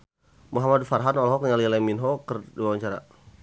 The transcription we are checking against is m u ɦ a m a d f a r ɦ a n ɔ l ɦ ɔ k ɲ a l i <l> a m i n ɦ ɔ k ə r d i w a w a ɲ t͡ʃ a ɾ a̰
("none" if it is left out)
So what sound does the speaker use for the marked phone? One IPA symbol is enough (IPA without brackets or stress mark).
l